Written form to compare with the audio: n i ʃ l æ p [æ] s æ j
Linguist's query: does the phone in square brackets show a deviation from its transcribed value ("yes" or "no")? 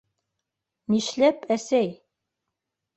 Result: no